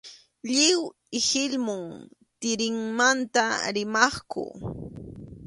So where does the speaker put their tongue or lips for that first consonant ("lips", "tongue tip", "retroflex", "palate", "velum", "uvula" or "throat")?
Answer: palate